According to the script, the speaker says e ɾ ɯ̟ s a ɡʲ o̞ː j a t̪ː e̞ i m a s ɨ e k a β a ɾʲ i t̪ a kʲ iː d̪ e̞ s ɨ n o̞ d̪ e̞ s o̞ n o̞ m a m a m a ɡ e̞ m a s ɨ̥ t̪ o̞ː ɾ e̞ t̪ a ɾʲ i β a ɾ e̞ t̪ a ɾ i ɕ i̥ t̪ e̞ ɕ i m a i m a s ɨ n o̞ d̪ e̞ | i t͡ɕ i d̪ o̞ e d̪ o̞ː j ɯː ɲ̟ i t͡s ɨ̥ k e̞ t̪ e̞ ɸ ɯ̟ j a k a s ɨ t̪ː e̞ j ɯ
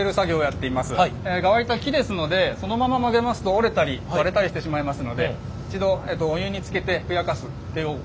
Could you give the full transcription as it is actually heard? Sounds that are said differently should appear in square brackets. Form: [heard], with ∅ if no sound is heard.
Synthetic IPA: e ɾ ɯ̟ s a ɡʲ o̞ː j a t̪ː e̞ i m a s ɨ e [ɡ] a β a ɾʲ i t̪ a kʲ [i] d̪ e̞ s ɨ n o̞ d̪ e̞ s o̞ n o̞ m a m a m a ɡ e̞ m a s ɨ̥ t̪ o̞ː ɾ e̞ t̪ a ɾʲ i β a ɾ e̞ t̪ a ɾ i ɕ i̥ t̪ e̞ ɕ i m a i m a s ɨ n o̞ d̪ e̞ | i t͡ɕ i d̪ o̞ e d̪ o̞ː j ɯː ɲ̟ i t͡s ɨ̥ k e̞ t̪ e̞ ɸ ɯ̟ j a k a s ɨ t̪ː e̞ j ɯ